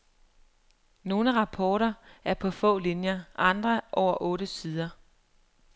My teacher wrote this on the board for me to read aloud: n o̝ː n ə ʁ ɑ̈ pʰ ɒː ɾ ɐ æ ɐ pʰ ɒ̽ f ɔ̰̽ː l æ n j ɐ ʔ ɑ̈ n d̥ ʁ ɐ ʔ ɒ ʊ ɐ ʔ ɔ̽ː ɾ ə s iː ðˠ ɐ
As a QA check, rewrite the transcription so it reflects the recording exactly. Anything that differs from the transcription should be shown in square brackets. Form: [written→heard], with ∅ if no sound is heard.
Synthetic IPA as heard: n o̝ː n ə ʁ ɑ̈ pʰ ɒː ɾ ɐ æ ɐ pʰ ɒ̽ f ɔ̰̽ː l [æ→i] n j ɐ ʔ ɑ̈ n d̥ ʁ ɐ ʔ ɒ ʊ ɐ ʔ ɔ̽ː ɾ ə s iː ðˠ ɐ